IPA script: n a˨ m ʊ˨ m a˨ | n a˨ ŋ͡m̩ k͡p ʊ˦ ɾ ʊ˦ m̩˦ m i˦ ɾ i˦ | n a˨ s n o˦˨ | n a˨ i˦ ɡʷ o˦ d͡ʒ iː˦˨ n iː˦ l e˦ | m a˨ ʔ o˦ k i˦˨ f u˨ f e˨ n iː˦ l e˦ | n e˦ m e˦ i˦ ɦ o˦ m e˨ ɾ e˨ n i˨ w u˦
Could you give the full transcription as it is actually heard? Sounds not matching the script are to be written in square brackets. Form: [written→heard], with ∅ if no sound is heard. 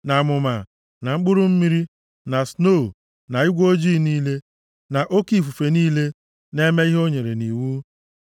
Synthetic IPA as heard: n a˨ m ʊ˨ m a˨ | n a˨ ŋ͡m̩ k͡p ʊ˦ ɾ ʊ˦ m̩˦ m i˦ ɾ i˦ | n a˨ s n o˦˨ | n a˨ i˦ ɡʷ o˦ d͡ʒ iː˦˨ n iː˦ l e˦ | [m→n] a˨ ʔ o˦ k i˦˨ f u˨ f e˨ n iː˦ l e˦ | n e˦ m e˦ i˦ ɦ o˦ [m→ɲ] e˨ ɾ e˨ n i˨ w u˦

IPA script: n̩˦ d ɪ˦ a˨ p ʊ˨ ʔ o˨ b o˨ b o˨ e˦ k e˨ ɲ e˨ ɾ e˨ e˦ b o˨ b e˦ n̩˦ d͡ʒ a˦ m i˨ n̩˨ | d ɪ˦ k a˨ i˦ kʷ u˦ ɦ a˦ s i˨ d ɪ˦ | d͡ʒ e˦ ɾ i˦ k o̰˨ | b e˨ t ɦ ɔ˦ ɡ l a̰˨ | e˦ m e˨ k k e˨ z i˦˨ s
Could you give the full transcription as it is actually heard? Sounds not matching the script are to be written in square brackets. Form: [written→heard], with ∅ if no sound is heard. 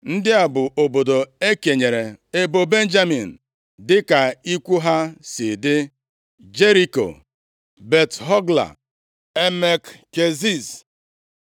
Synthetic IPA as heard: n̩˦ d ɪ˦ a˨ [p→b] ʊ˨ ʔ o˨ b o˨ [b→d] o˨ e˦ k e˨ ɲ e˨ ɾ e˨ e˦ b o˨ b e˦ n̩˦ d͡ʒ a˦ m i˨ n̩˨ | d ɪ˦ k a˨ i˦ kʷ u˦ ɦ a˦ s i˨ d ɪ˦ | d͡ʒ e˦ ɾ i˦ k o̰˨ | b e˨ t ɦ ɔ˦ ɡ l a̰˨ | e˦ m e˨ k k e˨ z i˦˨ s

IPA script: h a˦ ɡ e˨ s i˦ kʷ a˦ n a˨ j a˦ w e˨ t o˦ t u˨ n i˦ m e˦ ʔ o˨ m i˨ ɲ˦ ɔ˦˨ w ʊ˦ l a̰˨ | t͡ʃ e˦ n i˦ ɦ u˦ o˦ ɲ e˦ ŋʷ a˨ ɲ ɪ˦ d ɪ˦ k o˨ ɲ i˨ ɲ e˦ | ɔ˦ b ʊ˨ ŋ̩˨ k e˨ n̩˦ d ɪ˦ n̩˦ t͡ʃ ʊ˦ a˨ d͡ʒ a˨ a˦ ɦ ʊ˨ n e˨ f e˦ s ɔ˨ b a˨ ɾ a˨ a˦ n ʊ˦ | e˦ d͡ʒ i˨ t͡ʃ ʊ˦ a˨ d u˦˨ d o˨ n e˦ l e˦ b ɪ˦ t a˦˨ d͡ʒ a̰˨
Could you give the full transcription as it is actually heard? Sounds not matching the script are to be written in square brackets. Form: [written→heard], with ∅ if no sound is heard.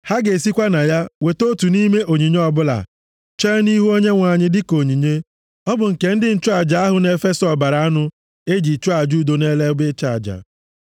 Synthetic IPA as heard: h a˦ ɡ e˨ s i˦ kʷ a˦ n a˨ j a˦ w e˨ t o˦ t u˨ n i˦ m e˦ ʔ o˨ [m→ɲ] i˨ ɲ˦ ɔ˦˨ [w→b] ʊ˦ l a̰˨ | t͡ʃ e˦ n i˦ ɦ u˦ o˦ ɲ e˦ ŋʷ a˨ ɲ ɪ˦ d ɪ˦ k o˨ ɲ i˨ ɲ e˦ | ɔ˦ b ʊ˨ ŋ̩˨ k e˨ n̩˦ d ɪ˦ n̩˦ t͡ʃ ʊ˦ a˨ d͡ʒ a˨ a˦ ɦ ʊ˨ n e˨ f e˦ s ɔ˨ b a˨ ɾ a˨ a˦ n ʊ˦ | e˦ d͡ʒ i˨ t͡ʃ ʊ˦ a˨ [d→d͡ʒ] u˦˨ d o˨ n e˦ l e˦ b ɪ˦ [t→t͡ʃ] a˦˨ d͡ʒ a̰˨

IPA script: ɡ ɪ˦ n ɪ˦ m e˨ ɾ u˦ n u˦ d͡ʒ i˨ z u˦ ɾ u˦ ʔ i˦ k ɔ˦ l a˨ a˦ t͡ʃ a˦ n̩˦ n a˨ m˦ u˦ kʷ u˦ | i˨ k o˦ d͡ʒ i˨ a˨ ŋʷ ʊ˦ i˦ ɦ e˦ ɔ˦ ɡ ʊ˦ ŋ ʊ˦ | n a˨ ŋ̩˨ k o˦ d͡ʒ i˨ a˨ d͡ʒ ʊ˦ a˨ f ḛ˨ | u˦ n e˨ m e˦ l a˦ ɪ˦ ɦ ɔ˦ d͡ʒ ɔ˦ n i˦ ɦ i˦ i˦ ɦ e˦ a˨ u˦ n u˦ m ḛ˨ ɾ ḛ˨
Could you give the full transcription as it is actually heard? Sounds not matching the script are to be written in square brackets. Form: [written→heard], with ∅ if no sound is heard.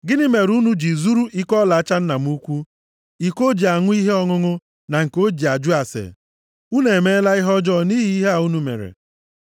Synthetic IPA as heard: ɡ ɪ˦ n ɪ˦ m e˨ ɾ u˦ n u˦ d͡ʒ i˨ z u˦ ɾ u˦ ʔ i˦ k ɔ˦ l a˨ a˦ t͡ʃ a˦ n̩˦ n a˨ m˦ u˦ kʷ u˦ | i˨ k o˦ d͡ʒ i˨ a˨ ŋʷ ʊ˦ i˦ ɦ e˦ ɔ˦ [ɡ→ŋ] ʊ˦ ŋ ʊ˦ | n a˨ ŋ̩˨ k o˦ d͡ʒ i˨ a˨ d͡ʒ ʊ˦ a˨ [f→s] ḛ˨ | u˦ n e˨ m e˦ l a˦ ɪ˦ ɦ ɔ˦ d͡ʒ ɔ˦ n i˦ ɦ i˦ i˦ ɦ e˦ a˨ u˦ n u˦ m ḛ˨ ɾ ḛ˨

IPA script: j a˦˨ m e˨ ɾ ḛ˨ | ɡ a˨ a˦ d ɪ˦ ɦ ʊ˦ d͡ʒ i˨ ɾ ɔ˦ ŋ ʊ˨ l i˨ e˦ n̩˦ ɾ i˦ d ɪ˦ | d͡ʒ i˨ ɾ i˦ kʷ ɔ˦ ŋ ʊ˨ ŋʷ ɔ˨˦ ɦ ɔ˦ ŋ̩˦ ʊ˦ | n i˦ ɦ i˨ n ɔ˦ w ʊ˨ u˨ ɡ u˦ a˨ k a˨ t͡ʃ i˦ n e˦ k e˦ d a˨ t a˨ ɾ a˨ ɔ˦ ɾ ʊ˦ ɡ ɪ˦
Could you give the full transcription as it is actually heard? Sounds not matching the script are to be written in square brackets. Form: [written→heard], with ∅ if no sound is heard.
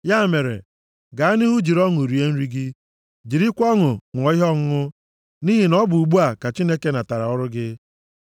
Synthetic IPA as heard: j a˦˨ m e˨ ɾ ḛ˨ | ɡ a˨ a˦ [d→n] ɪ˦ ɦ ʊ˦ d͡ʒ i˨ ɾ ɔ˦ ŋ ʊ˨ [l→ɾ] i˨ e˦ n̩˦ ɾ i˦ [d→ɡ] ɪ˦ | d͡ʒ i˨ ɾ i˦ kʷ ɔ˦ ŋ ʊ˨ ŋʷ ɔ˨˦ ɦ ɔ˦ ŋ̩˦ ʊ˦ | n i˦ ɦ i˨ n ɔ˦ [w→b] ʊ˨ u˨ [ɡ→ɡ͡b] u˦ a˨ k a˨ t͡ʃ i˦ n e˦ k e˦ [d→n] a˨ t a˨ ɾ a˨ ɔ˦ ɾ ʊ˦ ɡ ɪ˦

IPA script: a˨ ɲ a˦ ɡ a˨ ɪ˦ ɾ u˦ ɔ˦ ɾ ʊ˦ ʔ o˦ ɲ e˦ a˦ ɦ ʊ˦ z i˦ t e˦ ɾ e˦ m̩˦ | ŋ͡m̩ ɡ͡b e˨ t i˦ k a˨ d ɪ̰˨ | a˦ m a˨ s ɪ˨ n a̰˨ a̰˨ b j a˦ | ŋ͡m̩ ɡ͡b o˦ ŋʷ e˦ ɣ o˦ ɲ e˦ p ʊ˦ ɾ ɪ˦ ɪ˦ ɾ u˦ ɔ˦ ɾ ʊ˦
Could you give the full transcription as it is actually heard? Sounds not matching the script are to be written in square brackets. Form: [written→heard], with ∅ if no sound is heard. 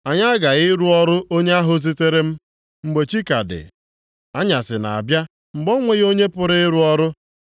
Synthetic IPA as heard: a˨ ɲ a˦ ɡ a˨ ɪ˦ ɾ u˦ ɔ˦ ɾ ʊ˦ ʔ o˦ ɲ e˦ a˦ ɦ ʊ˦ z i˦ t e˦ ɾ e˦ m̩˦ | ŋ͡m̩ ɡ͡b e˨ [t→t͡ʃ] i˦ k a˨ d ɪ̰˨ | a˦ [m→ɲ] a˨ s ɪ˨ n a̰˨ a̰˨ b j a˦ | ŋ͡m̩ ɡ͡b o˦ ŋʷ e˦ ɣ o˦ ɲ e˦ p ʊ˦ ɾ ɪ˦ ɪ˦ ɾ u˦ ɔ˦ ɾ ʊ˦

